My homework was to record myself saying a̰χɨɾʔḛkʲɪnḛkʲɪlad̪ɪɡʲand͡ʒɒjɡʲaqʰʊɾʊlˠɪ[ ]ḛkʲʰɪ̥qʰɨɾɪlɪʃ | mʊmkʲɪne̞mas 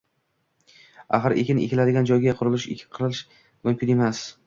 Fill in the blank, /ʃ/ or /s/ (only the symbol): ʃ